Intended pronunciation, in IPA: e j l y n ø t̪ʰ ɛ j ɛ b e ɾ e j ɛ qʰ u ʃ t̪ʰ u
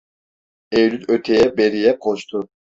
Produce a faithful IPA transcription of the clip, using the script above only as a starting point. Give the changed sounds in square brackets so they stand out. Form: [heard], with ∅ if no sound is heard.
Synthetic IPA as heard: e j l y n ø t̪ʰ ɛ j ɛ b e ɾ [i] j ɛ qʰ [o] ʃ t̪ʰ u